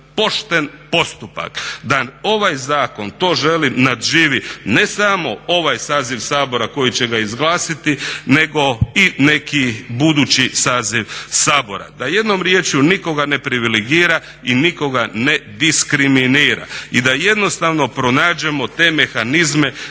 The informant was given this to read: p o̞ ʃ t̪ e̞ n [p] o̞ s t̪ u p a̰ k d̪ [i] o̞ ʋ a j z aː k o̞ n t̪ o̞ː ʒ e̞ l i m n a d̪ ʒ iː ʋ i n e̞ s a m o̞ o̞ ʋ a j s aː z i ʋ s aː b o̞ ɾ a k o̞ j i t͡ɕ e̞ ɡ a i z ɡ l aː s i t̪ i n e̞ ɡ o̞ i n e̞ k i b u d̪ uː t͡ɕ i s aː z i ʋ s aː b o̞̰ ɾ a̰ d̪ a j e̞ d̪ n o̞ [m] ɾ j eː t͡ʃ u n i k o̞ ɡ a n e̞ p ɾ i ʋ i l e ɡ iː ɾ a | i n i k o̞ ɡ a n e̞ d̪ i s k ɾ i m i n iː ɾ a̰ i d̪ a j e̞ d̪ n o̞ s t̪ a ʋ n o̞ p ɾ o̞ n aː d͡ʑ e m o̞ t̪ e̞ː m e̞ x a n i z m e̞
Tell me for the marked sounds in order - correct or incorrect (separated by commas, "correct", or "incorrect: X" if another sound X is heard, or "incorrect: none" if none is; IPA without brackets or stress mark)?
correct, incorrect: a, correct